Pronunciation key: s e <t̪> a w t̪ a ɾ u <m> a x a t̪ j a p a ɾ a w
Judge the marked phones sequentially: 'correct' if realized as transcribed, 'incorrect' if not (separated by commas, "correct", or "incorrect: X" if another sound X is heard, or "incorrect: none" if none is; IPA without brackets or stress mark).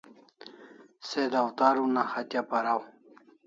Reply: incorrect: d̪, incorrect: n